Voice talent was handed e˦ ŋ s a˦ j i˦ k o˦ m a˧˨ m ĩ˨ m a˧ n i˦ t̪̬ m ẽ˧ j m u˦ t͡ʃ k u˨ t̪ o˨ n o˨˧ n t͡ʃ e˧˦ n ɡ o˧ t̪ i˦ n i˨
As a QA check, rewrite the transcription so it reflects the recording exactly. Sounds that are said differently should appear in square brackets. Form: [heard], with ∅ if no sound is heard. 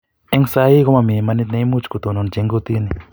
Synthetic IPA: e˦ ŋ s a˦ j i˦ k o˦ m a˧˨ m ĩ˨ m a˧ n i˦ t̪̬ [n] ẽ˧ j m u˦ t͡ʃ k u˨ t̪ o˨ n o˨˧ n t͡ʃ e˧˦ [ŋ] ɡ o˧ t̪ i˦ n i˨